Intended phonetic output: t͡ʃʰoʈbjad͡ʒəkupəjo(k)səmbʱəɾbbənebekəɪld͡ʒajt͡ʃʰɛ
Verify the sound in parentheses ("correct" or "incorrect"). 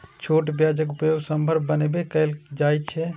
incorrect